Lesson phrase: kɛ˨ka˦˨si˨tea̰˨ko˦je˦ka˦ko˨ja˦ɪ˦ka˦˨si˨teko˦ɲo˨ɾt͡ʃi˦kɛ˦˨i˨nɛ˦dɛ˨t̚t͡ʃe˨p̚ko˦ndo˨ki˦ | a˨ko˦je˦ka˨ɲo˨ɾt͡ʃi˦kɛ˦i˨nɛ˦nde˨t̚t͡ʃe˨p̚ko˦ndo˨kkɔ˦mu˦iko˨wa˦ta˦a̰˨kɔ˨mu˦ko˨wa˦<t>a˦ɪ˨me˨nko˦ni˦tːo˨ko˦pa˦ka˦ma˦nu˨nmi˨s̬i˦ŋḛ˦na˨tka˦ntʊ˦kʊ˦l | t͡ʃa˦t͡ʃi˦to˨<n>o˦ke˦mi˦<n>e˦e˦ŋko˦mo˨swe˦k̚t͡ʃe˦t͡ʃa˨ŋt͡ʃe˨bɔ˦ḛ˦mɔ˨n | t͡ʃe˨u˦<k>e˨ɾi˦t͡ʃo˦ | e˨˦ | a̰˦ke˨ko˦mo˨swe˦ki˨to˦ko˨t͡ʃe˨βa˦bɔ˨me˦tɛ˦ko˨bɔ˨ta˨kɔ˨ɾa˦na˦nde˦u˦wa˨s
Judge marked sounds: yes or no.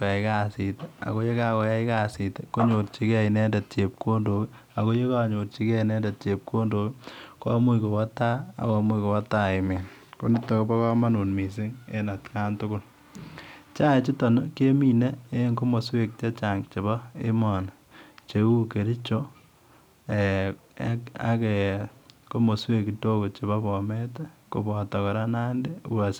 yes, yes, yes, yes

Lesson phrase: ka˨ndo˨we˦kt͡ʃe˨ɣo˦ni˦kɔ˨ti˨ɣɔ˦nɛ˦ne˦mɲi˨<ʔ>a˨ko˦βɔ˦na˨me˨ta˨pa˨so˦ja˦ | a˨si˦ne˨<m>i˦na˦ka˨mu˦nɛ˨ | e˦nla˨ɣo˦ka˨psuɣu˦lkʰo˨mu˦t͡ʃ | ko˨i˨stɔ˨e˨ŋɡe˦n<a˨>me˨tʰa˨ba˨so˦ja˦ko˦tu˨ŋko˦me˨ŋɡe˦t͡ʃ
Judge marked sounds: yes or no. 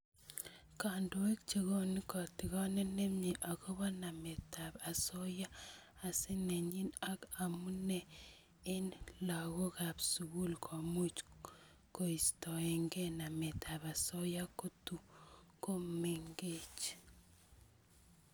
yes, no, yes

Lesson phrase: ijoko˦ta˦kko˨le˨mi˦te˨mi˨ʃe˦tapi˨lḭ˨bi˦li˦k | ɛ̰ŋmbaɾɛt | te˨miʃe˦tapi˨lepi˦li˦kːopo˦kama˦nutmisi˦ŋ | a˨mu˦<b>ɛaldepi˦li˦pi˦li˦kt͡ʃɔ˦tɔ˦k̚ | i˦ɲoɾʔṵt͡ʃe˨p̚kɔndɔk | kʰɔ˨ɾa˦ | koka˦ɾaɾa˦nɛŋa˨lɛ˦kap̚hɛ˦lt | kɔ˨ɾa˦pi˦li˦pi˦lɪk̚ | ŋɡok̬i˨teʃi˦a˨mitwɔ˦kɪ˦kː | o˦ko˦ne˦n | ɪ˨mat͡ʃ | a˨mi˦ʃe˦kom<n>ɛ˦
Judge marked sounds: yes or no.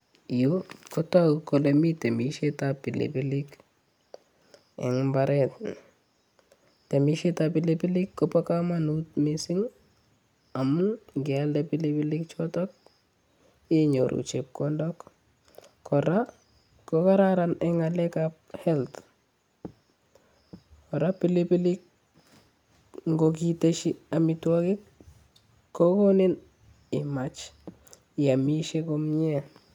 no, no

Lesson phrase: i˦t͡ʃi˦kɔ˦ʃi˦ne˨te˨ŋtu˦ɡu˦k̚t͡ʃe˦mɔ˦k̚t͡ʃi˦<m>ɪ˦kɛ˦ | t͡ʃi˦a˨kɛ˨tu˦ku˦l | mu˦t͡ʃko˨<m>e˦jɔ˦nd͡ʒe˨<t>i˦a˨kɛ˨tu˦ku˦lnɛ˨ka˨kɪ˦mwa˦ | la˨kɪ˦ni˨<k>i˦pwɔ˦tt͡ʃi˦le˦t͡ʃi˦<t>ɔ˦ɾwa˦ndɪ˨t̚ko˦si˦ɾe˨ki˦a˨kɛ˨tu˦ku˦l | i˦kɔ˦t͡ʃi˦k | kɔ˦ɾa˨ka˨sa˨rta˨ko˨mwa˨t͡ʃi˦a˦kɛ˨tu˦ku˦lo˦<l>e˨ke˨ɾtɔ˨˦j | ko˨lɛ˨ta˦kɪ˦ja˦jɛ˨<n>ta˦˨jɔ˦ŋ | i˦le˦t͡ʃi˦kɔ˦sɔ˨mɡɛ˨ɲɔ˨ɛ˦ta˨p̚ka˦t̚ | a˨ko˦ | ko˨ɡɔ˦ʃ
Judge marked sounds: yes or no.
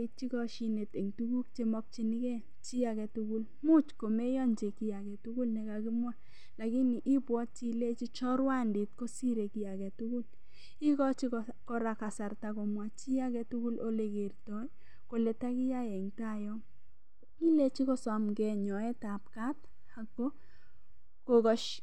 no, yes, no, no, no, yes, no

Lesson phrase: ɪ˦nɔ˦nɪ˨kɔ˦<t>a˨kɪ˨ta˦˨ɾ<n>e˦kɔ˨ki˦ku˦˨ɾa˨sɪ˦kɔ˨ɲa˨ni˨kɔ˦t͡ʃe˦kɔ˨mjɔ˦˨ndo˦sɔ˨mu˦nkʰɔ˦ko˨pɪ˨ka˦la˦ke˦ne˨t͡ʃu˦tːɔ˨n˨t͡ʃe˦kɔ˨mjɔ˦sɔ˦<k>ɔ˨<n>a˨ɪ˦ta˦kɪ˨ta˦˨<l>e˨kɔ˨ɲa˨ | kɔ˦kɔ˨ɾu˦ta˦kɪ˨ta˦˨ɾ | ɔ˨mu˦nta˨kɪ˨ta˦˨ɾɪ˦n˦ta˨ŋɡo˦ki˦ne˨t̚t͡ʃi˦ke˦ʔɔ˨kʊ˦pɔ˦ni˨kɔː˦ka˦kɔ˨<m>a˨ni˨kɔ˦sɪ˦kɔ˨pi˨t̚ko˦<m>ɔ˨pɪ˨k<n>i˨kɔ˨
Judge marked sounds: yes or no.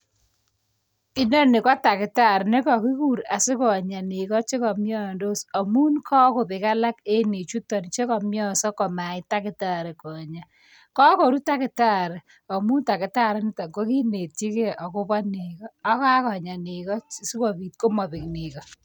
yes, yes, yes, no, no, no, yes, yes

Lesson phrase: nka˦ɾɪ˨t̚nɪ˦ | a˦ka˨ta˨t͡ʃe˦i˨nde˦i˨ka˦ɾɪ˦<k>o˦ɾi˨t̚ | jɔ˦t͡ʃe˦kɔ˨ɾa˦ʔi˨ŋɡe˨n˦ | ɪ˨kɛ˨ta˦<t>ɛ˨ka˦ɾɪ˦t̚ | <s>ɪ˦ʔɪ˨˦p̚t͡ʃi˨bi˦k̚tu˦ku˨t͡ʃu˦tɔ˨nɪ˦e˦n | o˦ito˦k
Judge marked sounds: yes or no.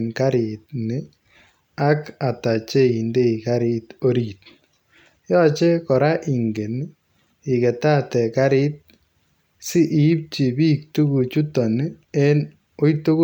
no, yes, yes

